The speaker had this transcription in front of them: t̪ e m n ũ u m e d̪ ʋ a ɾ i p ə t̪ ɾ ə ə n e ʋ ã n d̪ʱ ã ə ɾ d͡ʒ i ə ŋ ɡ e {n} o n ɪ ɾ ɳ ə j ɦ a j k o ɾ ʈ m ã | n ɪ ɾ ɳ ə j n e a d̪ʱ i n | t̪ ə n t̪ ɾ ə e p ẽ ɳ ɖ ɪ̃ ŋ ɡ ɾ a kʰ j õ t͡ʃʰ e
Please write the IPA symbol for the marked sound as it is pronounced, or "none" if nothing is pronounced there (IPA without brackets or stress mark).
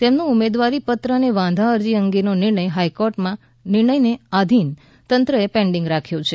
n